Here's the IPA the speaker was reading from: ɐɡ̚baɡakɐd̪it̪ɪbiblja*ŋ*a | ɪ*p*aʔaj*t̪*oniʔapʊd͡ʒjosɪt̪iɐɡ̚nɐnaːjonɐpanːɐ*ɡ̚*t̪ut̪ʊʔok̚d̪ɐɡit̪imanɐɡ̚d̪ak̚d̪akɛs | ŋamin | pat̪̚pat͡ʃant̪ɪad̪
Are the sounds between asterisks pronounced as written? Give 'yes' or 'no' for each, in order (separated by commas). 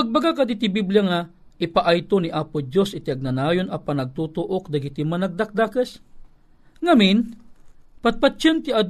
yes, yes, yes, yes